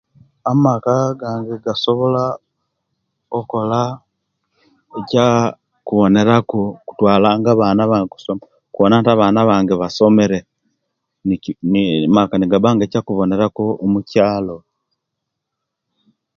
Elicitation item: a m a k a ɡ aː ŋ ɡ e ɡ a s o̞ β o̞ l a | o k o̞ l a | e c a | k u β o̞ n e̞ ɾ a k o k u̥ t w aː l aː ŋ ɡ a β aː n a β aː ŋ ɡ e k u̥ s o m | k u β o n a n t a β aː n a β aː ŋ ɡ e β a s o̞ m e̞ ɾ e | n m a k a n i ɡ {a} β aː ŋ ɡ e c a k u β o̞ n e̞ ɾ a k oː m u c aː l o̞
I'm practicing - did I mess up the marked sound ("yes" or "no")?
no